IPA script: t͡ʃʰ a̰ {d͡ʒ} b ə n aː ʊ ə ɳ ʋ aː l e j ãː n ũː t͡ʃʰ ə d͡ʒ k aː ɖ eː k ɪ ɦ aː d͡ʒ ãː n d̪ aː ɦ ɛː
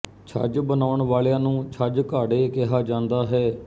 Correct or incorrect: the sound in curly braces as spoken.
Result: correct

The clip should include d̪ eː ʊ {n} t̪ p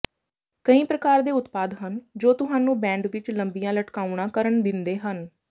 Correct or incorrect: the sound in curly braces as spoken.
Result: incorrect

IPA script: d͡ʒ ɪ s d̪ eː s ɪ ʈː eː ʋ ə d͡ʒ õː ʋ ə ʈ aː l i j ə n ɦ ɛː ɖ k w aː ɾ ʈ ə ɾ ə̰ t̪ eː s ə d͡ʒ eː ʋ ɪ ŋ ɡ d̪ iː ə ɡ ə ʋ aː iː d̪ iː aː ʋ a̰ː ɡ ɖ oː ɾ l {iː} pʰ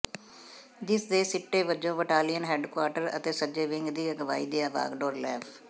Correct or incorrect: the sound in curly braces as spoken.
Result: incorrect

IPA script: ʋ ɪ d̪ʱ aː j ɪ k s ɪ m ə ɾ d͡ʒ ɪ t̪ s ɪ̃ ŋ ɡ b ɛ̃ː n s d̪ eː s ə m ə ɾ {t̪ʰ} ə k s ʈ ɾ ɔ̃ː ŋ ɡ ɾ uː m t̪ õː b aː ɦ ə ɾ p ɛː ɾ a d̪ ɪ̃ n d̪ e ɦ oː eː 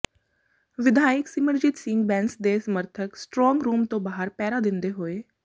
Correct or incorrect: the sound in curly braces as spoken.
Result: correct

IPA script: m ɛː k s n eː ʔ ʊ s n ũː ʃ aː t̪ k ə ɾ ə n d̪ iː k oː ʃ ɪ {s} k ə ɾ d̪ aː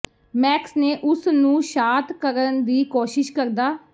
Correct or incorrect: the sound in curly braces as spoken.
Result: incorrect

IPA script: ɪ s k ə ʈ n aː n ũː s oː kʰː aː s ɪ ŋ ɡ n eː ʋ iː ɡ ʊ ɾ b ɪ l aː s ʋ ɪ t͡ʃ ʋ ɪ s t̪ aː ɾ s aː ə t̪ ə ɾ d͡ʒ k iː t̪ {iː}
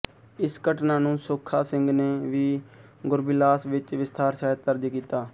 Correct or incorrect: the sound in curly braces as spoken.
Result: incorrect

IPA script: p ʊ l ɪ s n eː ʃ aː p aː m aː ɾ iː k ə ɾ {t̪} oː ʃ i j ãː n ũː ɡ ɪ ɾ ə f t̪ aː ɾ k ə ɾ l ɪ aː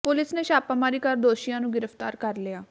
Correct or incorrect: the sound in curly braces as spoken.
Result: incorrect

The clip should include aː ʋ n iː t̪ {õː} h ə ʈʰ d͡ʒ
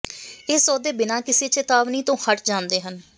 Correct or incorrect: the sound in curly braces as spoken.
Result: correct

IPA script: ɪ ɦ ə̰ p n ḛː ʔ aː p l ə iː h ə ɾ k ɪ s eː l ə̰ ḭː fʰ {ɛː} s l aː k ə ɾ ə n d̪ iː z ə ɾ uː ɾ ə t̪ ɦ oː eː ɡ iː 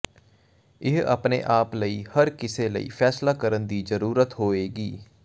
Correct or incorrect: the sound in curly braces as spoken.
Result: correct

